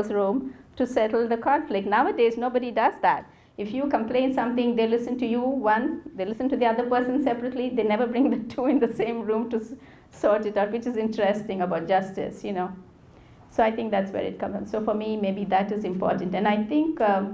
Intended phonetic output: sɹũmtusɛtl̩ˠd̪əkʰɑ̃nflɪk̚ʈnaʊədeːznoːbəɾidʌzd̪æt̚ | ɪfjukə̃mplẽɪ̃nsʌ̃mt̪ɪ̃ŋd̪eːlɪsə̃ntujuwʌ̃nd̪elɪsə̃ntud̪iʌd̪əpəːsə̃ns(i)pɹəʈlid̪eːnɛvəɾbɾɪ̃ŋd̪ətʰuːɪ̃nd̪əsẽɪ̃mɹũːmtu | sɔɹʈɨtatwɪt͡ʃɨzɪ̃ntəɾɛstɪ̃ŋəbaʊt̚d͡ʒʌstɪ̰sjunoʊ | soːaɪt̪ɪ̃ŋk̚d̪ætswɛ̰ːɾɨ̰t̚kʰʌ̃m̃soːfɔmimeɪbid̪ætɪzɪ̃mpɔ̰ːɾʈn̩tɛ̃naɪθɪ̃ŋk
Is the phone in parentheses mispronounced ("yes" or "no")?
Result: yes